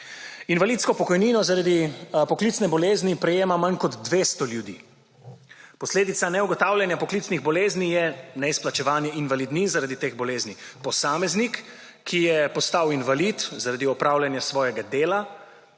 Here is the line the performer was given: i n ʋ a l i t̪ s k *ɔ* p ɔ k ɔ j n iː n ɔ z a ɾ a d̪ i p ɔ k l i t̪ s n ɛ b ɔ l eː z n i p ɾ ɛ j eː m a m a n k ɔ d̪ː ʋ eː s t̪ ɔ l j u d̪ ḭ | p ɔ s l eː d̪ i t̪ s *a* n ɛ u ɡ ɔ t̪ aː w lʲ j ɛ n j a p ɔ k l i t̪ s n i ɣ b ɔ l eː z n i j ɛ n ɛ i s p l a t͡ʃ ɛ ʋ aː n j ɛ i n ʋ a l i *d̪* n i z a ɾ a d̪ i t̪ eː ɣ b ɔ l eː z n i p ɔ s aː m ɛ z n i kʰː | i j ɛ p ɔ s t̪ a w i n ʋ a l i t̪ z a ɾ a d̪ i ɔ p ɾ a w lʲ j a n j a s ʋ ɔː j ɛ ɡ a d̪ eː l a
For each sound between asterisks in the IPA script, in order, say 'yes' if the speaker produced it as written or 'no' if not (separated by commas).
yes, yes, yes